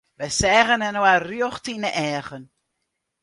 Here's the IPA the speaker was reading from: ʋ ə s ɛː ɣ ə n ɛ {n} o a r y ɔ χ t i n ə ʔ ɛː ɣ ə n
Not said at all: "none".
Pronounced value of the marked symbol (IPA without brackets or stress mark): n